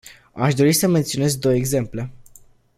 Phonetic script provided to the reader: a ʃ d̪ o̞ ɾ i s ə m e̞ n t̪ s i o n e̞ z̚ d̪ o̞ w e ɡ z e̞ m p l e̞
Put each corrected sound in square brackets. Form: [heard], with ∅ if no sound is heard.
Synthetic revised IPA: a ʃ d̪ o̞ ɾ i s ə m e̞ n t̪ s i o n e̞ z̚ d̪ o̞ w e ɡ z e̞ m p l e̞

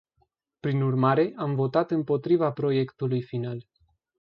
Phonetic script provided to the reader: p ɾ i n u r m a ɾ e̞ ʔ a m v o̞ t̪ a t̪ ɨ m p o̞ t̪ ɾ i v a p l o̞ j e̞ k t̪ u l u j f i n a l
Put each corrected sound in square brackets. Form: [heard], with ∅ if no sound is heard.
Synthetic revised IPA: p ɾ i n u r m a ɾ e̞ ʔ a m v o̞ t̪ a t̪ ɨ m p o̞ t̪ ɾ i v a p [ɾ] o̞ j e̞ k t̪ u l u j f i n a l

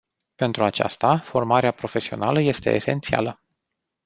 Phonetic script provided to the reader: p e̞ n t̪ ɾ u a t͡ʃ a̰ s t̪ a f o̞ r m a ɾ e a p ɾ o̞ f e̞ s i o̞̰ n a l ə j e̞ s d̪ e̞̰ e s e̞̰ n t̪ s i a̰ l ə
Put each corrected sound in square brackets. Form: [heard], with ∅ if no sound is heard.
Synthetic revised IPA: p e̞ n t̪ ɾ u a t͡ʃ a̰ s t̪ a f o̞ r m a ɾ e a p ɾ o̞ f e̞ s i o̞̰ n a l ə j e̞ s [t̪] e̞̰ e s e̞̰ n t̪ s i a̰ l ə

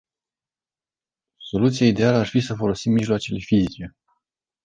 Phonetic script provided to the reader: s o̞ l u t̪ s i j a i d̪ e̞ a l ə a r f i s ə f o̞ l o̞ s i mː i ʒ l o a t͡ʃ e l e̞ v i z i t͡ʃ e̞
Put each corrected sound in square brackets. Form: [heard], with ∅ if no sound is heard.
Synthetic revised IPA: s o̞ l u t̪ s i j a i d̪ e̞ a l ə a r f i s ə f o̞ l o̞ s i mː i ʒ l o a t͡ʃ e l e̞ [f] i z i t͡ʃ e̞

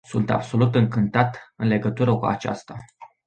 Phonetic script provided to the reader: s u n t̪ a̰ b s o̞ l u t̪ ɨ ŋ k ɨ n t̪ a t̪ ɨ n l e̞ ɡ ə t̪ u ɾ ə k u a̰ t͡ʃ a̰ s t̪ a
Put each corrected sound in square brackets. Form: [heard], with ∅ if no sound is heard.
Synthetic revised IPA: s u n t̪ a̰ b s o̞ l u t̪ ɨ ŋ k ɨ n t̪ a t̪ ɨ n l e̞ ɡ ə t̪ u ɾ ə k u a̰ t͡ʃ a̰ s t̪ a

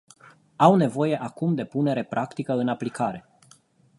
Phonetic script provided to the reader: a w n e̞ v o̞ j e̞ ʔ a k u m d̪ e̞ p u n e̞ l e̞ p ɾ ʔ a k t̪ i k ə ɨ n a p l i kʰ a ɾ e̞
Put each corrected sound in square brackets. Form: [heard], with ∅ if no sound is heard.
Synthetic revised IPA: a w n e̞ v o̞ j e̞ ʔ a k u m d̪ e̞ p u n e̞ [ɾ] e̞ p ɾ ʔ a k t̪ i k ə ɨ n a p l i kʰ a ɾ e̞

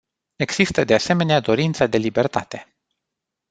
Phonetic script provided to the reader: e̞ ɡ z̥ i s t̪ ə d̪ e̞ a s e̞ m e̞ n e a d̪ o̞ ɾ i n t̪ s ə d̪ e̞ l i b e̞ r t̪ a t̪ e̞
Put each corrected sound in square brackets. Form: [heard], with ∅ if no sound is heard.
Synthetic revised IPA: e̞ ɡ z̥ i s t̪ ə d̪ e̞ a s e̞ m e̞ n e a d̪ o̞ ɾ i n t̪ s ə d̪ e̞ l i b e̞ r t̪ a t̪ e̞

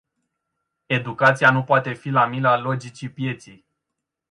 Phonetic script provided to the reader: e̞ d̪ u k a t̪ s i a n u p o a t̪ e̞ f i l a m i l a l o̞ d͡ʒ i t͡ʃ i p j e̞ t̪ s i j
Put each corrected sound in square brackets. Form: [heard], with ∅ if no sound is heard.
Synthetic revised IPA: e̞ d̪ u k a t̪ s i a n u p o a t̪ e̞ f i l a m i l a l o̞ d͡ʒ i t͡ʃ i p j e̞ t̪ s i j

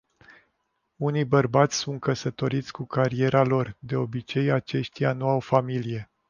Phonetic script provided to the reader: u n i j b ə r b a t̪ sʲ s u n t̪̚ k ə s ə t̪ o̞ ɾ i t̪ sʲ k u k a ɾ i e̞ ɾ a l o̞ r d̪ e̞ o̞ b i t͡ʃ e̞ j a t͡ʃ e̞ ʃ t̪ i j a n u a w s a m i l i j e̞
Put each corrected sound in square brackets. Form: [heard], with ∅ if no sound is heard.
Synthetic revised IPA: u n i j b ə r b a t̪ sʲ s u n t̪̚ k ə s ə t̪ o̞ ɾ i t̪ sʲ k u k a ɾ i e̞ ɾ a l o̞ r d̪ e̞ o̞ b i t͡ʃ e̞ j a t͡ʃ e̞ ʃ t̪ i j a n u a w [f] a m i l i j e̞

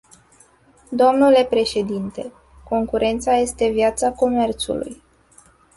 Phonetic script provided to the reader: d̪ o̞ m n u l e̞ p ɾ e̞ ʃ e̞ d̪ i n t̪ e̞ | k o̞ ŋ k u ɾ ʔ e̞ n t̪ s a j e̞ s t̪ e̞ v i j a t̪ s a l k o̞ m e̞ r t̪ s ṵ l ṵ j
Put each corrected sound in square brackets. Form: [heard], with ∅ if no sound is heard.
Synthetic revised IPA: d̪ o̞ m n u l e̞ p ɾ e̞ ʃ e̞ d̪ i n t̪ e̞ | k o̞ ŋ k u ɾ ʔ e̞ n t̪ s a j e̞ s t̪ e̞ v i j a t̪ s a [∅] k o̞ m e̞ r t̪ s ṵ l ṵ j

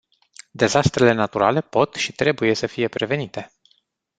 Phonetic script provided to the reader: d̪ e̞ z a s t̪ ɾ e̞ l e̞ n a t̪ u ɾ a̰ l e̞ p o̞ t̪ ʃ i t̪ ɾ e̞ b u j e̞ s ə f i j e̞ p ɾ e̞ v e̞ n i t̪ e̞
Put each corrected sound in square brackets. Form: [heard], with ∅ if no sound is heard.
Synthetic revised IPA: d̪ e̞ z a s t̪ ɾ e̞ l e̞ n a t̪ u ɾ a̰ l e̞ p o̞ t̪ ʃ i t̪ ɾ e̞ b u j e̞ s ə f i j e̞ p ɾ e̞ v e̞ n i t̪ e̞

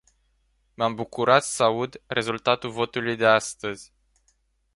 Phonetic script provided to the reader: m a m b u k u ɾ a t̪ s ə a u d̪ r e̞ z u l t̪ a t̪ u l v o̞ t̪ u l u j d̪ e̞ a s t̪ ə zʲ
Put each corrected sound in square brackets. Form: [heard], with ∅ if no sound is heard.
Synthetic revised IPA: m a m b u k u ɾ a t̪ s ə a u d̪ r e̞ z u l t̪ a t̪ u l v o̞ t̪ u l u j d̪ e̞ a s t̪ ə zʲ

